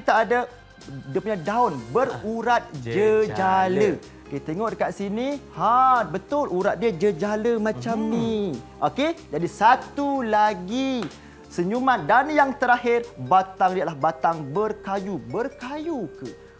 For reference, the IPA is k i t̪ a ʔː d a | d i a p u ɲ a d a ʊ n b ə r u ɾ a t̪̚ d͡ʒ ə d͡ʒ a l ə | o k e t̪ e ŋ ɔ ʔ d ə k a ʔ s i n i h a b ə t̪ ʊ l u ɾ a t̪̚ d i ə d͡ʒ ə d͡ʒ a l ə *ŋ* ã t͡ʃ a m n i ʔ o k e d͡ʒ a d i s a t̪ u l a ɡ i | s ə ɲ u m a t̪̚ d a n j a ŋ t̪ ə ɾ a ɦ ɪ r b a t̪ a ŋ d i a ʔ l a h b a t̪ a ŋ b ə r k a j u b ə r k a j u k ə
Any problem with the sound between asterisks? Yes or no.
yes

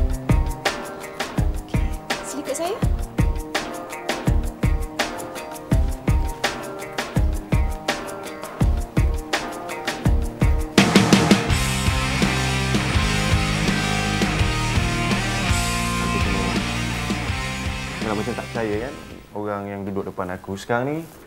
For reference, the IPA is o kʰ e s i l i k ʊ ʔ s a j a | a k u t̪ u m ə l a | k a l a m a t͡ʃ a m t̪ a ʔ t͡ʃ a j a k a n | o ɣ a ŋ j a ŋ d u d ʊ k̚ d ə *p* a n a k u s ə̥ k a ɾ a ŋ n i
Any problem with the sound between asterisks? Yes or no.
no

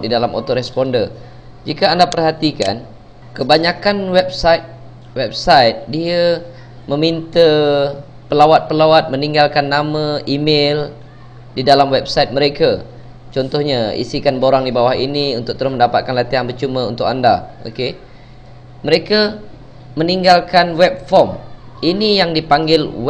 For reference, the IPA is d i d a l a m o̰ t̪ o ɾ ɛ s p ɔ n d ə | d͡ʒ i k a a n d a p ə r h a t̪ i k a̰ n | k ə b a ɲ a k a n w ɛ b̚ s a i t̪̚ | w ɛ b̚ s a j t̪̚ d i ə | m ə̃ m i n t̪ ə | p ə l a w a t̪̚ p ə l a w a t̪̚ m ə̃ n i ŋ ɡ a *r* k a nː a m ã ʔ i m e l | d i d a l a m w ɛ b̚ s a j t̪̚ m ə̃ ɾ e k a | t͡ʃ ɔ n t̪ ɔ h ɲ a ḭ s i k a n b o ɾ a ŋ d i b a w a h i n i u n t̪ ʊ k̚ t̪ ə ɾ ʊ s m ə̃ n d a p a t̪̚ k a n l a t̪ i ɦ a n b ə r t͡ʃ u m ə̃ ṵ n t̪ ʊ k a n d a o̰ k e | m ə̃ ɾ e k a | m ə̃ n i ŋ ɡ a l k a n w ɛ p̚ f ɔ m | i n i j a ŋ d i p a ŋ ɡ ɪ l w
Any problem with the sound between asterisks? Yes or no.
yes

